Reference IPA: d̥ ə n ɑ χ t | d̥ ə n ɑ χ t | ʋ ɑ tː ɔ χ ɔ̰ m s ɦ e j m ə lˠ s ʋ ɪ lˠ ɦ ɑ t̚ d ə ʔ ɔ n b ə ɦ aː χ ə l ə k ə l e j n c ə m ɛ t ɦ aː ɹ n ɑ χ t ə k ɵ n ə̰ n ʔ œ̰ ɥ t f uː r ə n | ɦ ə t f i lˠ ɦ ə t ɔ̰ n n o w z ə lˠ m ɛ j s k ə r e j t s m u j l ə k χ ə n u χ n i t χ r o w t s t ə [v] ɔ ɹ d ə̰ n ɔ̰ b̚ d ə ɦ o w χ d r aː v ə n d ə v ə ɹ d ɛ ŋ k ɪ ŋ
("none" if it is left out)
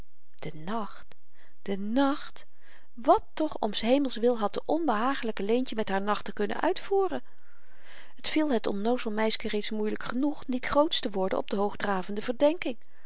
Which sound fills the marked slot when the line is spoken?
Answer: ʋ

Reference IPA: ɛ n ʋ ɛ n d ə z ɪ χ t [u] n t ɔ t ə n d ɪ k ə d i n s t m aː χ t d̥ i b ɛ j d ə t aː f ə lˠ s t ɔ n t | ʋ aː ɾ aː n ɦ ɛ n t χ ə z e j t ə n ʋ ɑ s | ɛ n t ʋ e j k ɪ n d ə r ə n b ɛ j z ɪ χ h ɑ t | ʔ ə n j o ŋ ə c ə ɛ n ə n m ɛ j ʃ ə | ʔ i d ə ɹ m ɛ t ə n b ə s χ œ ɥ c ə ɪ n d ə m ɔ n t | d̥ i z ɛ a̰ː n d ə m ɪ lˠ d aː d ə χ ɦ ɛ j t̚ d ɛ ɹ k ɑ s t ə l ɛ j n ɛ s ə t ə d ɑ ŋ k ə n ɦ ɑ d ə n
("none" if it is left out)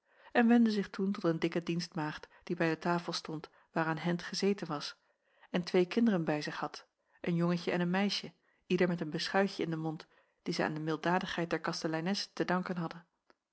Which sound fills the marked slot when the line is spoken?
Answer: u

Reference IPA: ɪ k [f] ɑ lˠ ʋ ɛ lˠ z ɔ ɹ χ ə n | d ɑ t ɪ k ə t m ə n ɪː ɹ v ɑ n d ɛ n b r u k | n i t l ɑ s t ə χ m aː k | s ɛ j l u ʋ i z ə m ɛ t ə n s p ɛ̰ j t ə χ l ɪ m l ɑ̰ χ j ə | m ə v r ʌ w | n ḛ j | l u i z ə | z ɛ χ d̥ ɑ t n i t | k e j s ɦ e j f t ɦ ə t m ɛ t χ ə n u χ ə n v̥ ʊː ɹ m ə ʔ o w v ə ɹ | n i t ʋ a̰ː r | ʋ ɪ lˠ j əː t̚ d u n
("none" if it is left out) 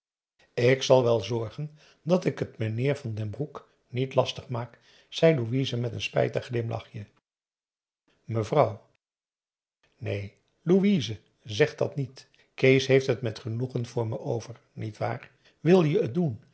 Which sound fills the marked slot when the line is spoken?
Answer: s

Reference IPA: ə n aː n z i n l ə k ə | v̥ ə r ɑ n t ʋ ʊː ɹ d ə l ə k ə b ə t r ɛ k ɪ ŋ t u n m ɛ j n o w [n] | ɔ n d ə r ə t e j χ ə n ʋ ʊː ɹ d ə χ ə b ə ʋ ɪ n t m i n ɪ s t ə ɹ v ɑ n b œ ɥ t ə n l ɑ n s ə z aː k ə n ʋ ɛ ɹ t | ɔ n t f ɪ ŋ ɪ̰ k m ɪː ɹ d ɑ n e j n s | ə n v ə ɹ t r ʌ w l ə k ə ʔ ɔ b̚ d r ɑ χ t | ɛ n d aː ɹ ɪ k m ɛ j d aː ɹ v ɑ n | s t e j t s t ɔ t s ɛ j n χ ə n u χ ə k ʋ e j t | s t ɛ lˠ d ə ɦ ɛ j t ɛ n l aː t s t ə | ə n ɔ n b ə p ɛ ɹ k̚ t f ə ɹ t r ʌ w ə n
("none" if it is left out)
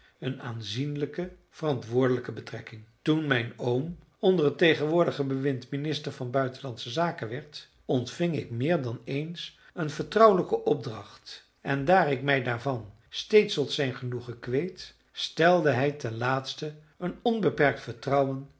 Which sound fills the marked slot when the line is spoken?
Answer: m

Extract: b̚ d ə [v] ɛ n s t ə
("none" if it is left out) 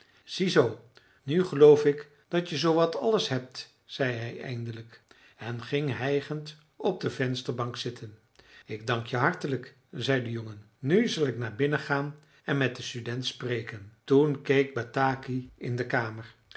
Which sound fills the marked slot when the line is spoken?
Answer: v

